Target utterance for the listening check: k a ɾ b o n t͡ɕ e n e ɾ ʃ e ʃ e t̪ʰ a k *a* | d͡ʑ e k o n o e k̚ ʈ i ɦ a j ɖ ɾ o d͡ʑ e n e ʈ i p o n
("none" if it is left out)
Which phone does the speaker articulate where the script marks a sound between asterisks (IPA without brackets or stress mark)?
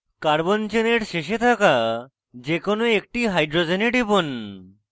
a